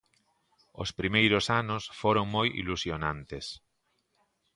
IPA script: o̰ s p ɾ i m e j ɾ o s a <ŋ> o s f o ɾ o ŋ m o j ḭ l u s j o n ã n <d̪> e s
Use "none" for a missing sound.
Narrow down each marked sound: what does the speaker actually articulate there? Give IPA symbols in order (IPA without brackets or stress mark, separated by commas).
n, t̪